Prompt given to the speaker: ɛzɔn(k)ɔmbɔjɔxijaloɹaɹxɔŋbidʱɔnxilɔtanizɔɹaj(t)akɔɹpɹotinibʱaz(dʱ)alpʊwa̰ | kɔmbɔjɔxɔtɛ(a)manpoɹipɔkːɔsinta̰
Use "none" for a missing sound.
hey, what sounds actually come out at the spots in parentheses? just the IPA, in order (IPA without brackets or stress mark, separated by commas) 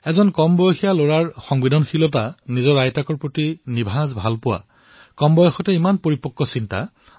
k, t, bʱ, i